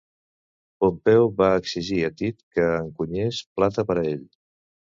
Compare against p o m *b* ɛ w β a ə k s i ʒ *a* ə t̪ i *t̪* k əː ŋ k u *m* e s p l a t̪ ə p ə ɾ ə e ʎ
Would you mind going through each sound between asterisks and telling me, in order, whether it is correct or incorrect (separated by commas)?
incorrect, incorrect, correct, incorrect